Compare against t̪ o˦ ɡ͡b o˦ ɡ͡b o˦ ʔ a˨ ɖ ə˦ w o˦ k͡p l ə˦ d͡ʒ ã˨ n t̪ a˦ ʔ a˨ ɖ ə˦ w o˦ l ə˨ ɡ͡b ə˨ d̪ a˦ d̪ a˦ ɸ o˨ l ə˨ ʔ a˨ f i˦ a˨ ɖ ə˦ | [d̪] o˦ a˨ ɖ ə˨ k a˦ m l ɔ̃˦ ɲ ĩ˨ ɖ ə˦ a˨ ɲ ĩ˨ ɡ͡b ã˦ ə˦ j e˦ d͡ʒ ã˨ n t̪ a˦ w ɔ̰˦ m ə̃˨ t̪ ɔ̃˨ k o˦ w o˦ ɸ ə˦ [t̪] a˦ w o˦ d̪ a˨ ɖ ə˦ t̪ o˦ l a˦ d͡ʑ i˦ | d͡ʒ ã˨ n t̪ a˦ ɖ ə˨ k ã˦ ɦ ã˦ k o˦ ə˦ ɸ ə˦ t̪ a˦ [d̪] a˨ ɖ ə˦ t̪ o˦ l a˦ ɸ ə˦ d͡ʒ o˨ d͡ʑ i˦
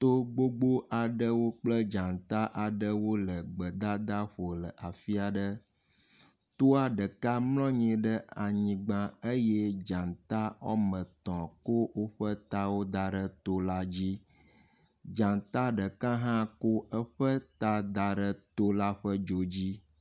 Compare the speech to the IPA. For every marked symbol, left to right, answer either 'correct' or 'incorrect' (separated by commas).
incorrect, correct, correct